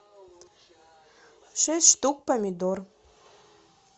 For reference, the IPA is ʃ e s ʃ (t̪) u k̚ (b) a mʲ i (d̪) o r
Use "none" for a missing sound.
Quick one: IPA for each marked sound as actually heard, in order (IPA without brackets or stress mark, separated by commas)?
t̪, p, d̪